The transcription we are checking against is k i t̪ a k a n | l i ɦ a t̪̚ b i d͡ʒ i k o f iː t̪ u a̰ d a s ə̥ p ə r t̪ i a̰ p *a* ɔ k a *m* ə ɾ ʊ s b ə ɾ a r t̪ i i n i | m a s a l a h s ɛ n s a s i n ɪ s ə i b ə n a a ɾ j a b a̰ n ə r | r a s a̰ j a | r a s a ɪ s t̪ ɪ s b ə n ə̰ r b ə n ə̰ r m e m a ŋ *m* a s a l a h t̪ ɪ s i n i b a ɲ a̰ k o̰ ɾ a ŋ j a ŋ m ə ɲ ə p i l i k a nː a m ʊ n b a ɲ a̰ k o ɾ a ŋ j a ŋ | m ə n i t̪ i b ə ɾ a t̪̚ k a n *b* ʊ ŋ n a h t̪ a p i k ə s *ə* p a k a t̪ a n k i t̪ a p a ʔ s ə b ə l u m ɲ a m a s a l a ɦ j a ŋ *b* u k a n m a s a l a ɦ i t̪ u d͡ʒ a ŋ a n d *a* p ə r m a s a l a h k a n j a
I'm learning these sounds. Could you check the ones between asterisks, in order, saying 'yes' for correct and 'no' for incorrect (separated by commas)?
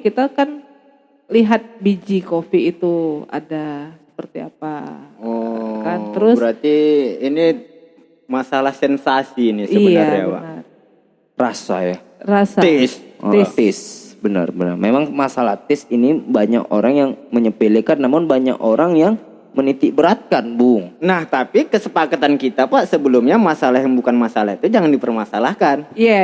yes, no, yes, yes, yes, yes, no